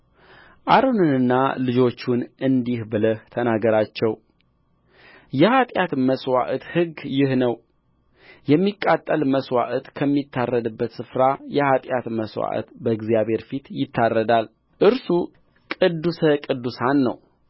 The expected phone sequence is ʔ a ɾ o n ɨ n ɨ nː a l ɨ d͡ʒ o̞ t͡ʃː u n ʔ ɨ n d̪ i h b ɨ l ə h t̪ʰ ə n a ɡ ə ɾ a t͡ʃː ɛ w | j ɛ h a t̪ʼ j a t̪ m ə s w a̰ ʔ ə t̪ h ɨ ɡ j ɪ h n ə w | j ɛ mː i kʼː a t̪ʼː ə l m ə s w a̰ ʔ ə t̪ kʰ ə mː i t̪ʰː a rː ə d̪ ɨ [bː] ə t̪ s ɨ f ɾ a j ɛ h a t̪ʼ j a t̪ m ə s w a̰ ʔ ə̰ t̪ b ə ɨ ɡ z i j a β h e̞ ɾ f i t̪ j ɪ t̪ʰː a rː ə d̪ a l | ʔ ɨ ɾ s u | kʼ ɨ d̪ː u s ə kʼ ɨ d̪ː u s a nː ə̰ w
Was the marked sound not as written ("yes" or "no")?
no